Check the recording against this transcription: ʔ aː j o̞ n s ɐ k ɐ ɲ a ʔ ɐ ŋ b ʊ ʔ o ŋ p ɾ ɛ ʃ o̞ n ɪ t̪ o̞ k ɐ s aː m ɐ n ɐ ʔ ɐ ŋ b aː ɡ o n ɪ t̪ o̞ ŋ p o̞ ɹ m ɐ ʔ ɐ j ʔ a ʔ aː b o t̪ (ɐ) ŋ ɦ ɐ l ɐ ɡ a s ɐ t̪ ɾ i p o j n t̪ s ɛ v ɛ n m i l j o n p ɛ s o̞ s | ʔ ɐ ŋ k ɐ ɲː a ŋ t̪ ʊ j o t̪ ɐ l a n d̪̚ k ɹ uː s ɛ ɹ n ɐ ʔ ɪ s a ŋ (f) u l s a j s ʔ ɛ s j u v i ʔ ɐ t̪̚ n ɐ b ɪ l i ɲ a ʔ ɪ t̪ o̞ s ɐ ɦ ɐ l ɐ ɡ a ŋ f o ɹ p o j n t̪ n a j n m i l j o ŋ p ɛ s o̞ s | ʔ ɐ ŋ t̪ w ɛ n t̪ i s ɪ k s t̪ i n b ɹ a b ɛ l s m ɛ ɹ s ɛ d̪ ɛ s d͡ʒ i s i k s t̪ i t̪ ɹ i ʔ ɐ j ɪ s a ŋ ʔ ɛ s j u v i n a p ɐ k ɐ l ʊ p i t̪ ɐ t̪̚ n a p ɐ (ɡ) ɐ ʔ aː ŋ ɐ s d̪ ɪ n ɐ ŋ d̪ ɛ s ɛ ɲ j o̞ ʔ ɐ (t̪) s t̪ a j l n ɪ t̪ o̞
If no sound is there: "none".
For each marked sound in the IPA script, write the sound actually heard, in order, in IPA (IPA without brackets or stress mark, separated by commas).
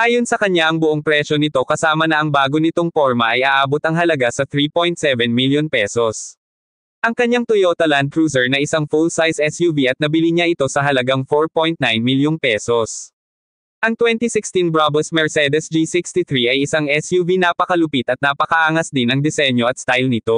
ɐ, f, k, t̪